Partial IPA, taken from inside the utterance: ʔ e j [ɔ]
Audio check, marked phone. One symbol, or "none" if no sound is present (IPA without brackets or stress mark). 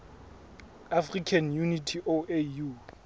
u